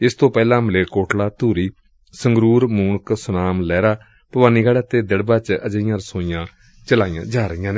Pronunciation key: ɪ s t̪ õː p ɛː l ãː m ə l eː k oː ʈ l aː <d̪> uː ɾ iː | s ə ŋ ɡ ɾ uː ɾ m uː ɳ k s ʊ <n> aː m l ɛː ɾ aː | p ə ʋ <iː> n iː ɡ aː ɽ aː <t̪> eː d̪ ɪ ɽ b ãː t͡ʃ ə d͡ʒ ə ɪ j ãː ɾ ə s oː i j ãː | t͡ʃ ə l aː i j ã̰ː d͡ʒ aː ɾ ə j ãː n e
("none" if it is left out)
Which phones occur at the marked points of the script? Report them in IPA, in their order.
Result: t̪, n, aː, t̪

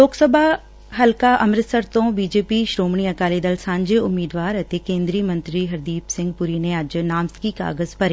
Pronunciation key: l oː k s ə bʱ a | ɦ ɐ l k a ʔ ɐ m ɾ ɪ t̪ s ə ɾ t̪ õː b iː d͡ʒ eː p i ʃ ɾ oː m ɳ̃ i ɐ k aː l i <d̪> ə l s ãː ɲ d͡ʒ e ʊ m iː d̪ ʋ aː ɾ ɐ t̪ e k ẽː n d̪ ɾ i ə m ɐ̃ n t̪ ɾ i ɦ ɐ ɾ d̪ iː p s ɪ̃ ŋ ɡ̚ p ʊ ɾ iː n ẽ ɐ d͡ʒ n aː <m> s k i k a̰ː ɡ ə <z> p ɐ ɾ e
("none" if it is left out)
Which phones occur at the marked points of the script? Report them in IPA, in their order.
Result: d̪, m, z

